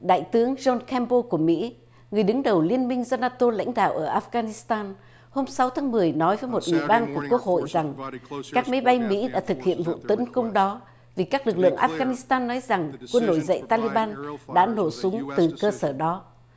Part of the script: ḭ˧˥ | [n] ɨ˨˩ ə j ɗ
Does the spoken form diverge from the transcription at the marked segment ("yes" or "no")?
yes